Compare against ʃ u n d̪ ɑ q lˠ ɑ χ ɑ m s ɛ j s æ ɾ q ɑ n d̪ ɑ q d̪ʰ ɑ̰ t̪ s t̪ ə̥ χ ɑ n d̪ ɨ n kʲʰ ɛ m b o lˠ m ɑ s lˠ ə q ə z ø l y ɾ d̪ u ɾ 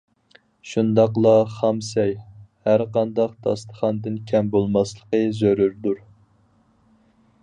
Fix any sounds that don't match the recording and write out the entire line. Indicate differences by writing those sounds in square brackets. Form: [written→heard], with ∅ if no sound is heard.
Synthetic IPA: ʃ u n d̪ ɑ q lˠ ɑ χ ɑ m s ɛ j [s→h] æ ɾ q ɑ n d̪ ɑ q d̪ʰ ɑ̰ [t̪→∅] s t̪ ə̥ χ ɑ n d̪ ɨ n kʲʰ ɛ m b o lˠ m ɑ s lˠ ə q ə z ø [l→ɾ] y ɾ d̪ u ɾ